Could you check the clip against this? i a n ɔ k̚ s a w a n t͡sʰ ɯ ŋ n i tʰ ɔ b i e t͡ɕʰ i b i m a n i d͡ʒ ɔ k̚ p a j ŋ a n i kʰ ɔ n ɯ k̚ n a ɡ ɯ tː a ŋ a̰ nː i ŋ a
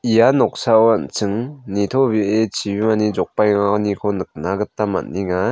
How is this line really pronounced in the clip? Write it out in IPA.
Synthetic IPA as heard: i a n ɔ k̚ s a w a n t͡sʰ ɯ ŋ n i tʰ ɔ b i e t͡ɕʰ i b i m a n i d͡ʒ ɔ k̚ p a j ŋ a n i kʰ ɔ n ɯ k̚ n a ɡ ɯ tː a m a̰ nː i ŋ a